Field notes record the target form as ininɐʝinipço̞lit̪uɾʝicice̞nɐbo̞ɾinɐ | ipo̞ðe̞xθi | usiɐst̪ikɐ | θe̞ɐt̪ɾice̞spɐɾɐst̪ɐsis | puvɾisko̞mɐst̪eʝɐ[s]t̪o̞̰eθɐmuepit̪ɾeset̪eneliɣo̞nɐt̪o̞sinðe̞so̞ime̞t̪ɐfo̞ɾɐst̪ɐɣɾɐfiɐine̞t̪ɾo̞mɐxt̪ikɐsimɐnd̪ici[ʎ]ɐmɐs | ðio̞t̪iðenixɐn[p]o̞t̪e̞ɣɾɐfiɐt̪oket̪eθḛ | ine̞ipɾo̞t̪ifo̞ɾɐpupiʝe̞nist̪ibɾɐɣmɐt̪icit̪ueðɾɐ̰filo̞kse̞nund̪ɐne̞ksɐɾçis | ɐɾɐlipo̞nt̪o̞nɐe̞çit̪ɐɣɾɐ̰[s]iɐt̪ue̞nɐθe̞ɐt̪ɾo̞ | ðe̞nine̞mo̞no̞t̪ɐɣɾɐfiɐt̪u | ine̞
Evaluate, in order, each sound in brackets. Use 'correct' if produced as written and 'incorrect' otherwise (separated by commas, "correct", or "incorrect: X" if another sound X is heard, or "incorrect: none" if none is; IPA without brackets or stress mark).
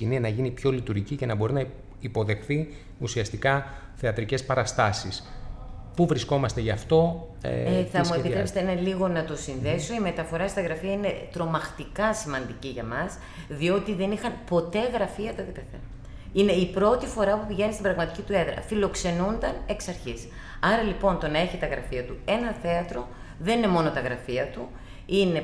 incorrect: f, incorrect: ʝ, correct, incorrect: f